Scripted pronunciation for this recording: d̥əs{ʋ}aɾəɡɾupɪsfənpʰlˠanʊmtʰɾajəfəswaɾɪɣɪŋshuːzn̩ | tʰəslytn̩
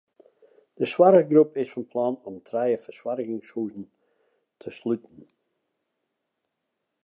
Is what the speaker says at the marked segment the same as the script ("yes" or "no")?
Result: no